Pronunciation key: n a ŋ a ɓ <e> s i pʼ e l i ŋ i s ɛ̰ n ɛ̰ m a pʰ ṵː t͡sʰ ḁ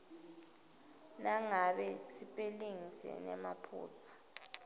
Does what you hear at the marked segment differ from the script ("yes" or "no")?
yes